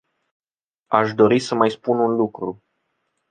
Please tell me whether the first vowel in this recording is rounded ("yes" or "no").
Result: no